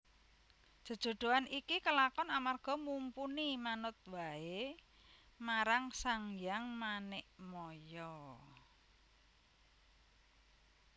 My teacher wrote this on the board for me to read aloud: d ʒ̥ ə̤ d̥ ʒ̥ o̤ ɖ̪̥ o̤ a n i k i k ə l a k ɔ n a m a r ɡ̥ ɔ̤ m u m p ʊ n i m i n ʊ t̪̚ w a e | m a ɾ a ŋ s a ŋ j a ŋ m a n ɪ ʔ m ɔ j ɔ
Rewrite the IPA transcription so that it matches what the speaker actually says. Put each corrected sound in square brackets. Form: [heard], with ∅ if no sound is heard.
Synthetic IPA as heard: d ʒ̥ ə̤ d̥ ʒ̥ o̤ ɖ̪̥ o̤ a n i k i k ə l a k ɔ n a m a r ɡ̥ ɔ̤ m u m p [u] n i m [a] n ʊ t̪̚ w a e | m a ɾ a ŋ s a ŋ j a ŋ m a n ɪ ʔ m ɔ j ɔ